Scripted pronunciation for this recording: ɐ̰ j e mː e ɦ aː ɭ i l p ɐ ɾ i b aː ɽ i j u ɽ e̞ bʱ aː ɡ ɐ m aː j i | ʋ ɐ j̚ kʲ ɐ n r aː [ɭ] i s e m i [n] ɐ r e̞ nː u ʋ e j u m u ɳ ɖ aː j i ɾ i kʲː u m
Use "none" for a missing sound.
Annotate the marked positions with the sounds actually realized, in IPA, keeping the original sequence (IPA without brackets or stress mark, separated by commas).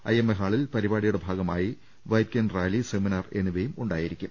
l, n